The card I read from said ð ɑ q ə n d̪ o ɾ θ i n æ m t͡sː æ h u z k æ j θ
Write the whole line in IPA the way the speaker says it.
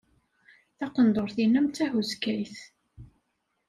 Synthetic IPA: θ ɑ q ə n d̪ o ɾ θ i n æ m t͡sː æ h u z k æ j θ